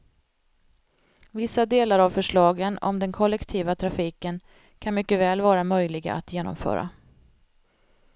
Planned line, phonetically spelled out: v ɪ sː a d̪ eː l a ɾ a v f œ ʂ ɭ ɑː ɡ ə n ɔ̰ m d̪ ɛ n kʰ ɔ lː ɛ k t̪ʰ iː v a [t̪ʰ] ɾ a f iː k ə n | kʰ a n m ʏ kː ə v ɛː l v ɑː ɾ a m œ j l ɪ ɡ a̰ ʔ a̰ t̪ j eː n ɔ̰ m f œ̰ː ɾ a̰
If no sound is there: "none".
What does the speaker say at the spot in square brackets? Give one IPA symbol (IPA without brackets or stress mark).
t̪ʰ